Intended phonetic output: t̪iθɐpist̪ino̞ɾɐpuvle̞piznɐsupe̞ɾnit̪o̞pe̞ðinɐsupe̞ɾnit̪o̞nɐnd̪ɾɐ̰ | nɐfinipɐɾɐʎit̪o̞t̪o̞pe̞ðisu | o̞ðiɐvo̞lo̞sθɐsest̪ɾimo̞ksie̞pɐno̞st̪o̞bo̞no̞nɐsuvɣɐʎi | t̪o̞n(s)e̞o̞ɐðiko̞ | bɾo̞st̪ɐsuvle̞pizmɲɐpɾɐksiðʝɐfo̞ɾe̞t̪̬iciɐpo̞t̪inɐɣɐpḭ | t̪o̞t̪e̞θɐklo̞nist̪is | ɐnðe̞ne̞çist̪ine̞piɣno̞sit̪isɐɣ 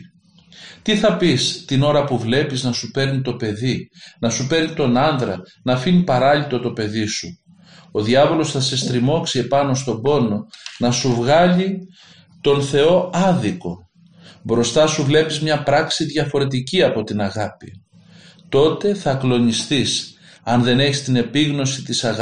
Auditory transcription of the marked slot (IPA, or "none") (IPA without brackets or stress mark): θ